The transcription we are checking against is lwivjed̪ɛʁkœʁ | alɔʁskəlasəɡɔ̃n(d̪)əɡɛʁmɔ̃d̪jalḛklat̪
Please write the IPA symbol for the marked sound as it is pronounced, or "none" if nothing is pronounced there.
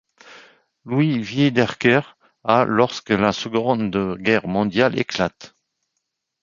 d̪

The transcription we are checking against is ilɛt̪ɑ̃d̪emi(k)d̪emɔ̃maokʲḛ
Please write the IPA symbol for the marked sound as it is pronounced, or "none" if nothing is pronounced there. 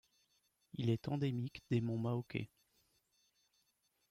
k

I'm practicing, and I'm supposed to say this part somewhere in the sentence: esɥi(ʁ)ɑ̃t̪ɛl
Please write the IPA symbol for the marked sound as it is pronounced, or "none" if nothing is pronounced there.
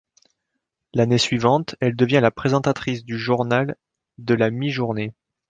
v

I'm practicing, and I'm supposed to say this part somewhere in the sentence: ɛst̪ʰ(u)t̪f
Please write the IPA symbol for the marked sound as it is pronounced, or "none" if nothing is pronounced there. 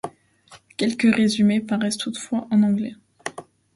u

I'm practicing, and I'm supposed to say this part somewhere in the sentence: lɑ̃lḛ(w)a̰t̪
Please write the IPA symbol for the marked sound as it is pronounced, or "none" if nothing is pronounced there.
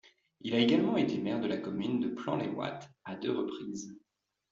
w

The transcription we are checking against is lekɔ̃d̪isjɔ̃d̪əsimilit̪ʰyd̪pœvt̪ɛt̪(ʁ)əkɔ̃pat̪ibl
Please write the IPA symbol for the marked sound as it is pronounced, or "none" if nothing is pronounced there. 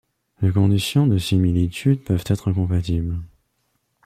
χ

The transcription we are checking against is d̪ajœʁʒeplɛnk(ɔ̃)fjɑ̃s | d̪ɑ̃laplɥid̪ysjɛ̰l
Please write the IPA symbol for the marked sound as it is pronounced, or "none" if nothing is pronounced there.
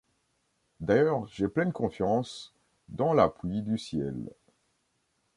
ɔ̃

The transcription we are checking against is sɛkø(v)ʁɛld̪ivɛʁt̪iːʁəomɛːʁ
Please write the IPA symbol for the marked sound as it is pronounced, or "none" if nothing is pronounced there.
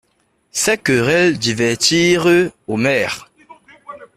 none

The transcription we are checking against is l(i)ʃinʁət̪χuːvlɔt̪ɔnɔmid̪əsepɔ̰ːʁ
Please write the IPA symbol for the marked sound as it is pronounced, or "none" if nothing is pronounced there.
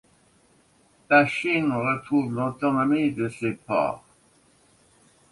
a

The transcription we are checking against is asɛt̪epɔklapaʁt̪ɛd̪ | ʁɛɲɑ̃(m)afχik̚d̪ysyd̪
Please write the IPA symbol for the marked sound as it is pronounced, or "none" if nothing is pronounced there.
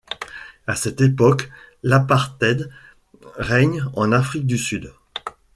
n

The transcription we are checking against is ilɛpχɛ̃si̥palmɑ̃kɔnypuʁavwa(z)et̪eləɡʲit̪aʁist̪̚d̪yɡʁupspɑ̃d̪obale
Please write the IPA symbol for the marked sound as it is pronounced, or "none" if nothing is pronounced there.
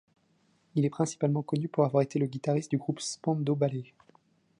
ʁ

